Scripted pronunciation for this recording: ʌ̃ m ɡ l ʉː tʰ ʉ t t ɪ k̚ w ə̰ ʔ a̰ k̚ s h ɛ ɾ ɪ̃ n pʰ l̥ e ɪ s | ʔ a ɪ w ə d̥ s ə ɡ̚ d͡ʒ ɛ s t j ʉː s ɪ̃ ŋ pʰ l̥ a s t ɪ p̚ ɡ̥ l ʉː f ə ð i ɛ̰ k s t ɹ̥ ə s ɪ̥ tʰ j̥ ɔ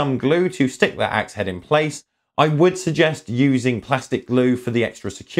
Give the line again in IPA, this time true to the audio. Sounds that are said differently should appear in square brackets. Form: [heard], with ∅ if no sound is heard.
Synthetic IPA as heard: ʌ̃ m ɡ l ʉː tʰ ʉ [s] t ɪ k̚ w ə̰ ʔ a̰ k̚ s h ɛ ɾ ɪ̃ n pʰ l̥ e ɪ s | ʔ a ɪ w ə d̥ s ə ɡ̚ d͡ʒ ɛ s t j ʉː [z] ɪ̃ ŋ pʰ l̥ a s t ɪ [k̚] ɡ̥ l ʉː f ə ð i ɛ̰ k s t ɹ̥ ə s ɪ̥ [kʰ] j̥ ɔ